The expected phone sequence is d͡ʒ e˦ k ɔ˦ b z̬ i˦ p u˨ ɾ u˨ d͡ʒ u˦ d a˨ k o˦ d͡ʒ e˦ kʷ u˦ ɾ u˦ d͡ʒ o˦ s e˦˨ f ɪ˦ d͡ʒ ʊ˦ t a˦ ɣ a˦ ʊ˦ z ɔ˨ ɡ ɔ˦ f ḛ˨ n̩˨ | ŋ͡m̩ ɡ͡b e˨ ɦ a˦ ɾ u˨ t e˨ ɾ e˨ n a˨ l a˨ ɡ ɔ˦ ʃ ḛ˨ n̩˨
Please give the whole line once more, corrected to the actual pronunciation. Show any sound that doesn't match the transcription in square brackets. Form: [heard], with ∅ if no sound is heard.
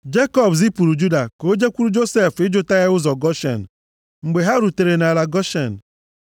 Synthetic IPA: d͡ʒ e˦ k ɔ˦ b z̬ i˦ p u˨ ɾ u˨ d͡ʒ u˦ d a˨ k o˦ d͡ʒ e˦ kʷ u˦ ɾ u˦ d͡ʒ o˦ s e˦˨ f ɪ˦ d͡ʒ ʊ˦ t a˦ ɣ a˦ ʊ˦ z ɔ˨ ɡ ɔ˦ [ʃ] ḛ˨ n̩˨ | ŋ͡m̩ ɡ͡b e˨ ɦ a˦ ɾ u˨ t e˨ ɾ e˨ n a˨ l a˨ ɡ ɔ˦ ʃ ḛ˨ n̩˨